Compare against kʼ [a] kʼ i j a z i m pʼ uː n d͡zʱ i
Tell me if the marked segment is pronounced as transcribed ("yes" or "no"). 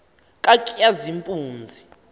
yes